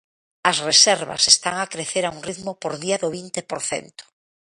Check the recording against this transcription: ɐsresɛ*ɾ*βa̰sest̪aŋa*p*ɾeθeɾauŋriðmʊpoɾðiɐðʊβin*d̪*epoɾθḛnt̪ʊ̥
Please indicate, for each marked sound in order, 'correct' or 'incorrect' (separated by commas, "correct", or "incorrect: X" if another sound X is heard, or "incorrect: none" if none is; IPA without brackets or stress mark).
correct, incorrect: k, incorrect: t̪